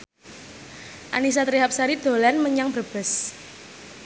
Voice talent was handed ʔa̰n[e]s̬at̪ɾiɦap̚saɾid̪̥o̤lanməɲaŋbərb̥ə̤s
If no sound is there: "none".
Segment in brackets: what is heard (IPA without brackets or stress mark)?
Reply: i